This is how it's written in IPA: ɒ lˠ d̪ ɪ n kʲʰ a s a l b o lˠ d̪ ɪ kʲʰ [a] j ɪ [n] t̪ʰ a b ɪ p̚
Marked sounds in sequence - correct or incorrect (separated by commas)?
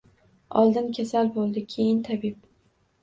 incorrect, correct